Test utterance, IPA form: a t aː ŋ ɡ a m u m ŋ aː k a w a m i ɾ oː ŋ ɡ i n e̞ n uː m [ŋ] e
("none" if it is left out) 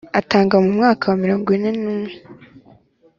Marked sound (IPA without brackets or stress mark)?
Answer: ŋ